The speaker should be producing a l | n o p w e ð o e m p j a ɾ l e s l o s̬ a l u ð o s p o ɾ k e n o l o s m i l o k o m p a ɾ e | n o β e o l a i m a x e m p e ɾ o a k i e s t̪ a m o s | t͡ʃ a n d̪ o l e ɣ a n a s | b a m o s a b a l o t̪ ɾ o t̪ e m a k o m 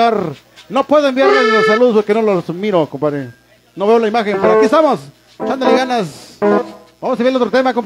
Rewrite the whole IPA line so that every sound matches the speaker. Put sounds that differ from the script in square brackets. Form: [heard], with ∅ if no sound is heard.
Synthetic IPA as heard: a [ɾ] | n o p w e ð o e m [b] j a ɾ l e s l o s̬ a l u ð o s p o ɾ k e n o l o s m i [ɾ] o k o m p a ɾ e | n o β e o l a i m a x e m p e ɾ o a k i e s t̪ a m o s | t͡ʃ a n d̪ o l e ɣ a n a s | b a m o s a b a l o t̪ ɾ o t̪ e m a k o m